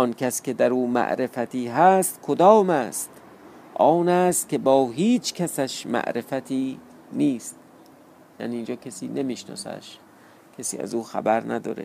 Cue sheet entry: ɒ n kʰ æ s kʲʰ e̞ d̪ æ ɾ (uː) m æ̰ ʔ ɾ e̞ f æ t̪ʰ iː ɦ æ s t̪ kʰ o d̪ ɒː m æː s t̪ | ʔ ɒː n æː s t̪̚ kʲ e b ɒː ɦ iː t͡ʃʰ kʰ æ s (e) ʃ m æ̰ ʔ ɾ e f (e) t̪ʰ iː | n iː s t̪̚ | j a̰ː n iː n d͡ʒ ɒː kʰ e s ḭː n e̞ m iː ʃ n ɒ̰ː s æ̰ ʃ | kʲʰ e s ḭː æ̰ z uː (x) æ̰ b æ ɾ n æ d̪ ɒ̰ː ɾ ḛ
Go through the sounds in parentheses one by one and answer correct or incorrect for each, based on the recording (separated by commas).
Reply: correct, incorrect, incorrect, correct